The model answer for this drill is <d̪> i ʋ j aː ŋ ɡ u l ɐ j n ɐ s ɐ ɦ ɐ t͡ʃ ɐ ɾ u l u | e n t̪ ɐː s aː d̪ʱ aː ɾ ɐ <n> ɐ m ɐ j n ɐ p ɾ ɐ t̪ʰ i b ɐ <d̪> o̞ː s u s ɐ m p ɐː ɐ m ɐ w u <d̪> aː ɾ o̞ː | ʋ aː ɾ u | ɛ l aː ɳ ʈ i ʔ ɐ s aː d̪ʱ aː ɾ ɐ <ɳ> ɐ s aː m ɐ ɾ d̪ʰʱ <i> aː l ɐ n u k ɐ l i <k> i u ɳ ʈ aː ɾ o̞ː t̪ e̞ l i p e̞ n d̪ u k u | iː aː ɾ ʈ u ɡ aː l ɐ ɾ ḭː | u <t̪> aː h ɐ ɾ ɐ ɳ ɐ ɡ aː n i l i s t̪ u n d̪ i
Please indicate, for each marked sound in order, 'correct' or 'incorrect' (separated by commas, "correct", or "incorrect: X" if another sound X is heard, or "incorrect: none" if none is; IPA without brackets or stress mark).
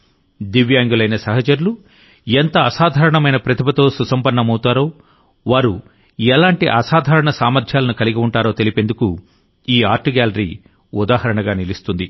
correct, incorrect: ɳ, incorrect: t̪, incorrect: t̪, correct, incorrect: j, incorrect: ɡ, incorrect: d̪